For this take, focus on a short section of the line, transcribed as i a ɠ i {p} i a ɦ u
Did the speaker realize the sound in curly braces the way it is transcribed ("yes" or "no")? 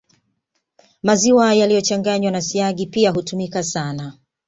yes